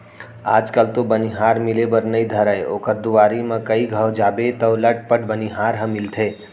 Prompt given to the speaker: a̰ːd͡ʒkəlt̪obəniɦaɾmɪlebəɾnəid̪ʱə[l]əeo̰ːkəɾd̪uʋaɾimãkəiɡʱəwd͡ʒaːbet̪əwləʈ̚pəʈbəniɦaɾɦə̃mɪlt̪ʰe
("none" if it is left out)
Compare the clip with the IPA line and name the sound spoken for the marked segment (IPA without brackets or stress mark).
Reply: ɾ